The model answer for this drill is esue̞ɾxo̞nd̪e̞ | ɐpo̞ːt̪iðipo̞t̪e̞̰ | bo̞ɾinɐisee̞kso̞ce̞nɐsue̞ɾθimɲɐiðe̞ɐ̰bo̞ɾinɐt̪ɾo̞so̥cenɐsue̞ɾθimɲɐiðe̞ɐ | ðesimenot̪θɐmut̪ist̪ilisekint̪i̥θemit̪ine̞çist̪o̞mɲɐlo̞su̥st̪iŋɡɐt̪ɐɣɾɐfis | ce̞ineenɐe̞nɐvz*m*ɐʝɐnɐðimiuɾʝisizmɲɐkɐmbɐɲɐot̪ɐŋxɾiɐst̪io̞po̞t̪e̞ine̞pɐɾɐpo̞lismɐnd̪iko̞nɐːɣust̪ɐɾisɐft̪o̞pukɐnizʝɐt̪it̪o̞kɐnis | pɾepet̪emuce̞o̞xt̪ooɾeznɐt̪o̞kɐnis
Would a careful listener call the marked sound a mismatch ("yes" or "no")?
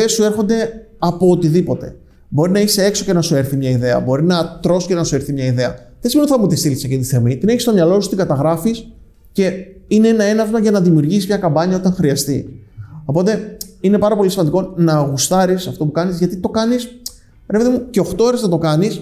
no